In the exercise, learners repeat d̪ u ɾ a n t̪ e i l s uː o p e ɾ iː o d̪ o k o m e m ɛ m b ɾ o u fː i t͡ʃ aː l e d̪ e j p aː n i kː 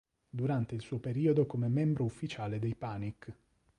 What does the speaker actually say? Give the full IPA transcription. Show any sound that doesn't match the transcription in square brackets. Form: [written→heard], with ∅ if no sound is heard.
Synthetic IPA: d̪ u ɾ a n t̪ e i l s uː o p e ɾ iː o d̪ o k o m e m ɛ m b ɾ o u fː i t͡ʃ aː l e d̪ e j p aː n i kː